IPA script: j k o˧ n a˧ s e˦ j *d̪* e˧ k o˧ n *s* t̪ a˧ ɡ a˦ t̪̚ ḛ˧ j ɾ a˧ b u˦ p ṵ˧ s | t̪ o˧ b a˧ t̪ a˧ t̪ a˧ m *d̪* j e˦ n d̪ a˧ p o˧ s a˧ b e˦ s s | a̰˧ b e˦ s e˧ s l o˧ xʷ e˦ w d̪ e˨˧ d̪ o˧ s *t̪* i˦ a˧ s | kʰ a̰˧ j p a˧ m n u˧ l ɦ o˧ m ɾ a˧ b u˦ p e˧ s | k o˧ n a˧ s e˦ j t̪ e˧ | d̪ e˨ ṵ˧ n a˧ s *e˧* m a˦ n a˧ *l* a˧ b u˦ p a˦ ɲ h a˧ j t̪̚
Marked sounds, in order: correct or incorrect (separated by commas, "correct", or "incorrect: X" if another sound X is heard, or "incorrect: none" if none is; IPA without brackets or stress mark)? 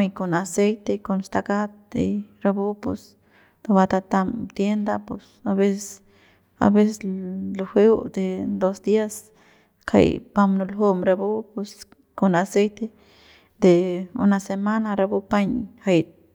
incorrect: t̪, correct, incorrect: t̪, incorrect: d̪, correct, incorrect: ɾ